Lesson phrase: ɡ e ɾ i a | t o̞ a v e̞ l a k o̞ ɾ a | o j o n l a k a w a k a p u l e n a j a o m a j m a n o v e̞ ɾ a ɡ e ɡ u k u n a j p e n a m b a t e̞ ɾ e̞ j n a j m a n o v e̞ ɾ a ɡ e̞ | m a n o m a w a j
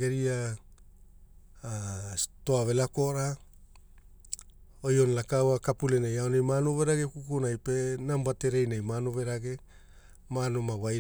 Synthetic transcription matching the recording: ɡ e ɾ i a | t o̞ a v e̞ l a k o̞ ɾ a | o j o n l a k a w a k a p u l e n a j a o n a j m a n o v e̞ ɾ a ɡ e k u k u n a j p e n a m b a t e̞ ɾ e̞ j n a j m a n o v e̞ ɾ a ɡ e̞ | m a n o m a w a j